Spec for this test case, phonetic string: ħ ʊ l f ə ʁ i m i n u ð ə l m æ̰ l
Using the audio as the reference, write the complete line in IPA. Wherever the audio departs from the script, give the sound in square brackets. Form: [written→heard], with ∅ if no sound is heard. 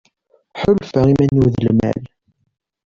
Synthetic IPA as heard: ħ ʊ l f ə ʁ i m [i→æ] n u ð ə l m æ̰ l